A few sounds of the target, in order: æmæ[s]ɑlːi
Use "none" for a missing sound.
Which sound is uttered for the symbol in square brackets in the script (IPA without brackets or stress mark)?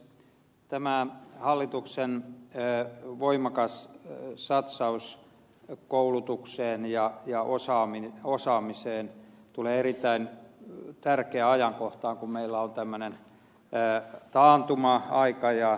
h